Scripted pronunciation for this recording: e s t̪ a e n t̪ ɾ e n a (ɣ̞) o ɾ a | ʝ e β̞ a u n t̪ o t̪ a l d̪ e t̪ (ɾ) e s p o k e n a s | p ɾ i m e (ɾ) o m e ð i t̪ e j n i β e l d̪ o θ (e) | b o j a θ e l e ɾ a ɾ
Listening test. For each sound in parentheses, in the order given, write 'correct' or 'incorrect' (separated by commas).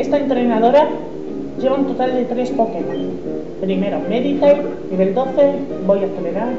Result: incorrect, correct, correct, correct